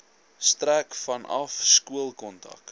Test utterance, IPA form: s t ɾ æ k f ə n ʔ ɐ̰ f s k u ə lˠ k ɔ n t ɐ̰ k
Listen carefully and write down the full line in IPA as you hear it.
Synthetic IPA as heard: s t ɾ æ k f ɐ n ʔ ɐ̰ f s k u ə lˠ k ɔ n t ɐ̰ k